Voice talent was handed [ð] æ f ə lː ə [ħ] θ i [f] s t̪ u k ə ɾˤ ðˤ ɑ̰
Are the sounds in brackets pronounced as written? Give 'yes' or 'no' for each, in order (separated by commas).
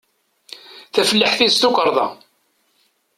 no, yes, no